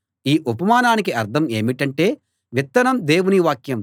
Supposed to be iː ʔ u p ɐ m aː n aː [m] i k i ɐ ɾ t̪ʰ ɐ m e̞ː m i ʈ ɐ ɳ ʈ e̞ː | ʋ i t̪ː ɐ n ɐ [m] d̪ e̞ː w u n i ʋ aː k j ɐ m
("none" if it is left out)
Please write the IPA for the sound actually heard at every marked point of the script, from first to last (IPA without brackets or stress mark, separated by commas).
n, m